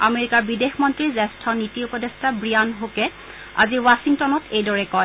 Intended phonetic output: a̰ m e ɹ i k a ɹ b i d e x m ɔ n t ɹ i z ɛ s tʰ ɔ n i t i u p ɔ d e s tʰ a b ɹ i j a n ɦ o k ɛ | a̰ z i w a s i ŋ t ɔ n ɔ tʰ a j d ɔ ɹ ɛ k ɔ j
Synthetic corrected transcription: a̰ m e ɹ i k a ɹ b i d e x m ɔ n t ɹ i z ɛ s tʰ ɔ n i t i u p ɔ d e s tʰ a b ɹ i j a n ɦ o k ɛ | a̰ z i w a s i ŋ t ɔ n ɔ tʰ e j d ɔ ɹ ɛ k ɔ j